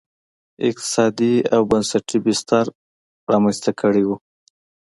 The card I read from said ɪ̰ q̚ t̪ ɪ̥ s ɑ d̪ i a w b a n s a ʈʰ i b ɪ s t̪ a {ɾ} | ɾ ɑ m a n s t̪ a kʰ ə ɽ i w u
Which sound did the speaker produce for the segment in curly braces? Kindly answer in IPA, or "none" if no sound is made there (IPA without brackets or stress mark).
ɾ